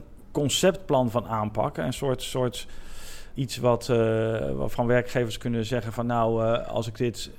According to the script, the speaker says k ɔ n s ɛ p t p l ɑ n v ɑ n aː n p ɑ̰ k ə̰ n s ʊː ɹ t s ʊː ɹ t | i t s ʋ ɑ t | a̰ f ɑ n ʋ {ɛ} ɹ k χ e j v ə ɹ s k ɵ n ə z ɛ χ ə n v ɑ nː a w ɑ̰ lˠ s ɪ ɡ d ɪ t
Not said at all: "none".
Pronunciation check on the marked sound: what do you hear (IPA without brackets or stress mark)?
ɛ